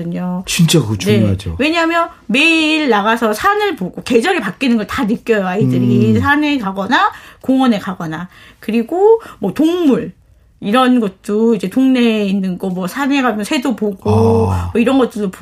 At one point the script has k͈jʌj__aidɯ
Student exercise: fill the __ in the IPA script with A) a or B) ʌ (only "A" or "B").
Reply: B